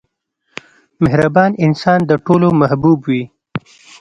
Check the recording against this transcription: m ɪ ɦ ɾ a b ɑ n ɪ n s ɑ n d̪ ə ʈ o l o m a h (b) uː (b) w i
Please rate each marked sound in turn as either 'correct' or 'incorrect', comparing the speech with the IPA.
correct, correct

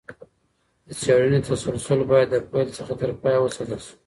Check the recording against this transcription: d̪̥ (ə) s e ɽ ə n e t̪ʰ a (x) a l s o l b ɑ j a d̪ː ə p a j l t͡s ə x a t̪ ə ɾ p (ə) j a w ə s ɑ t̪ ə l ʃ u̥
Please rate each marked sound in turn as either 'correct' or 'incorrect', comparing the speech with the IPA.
correct, incorrect: s, incorrect: ɑ

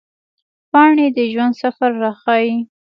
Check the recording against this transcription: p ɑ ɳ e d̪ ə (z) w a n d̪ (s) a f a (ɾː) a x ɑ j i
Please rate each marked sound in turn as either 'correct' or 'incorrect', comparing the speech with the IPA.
incorrect: ʒ, correct, correct

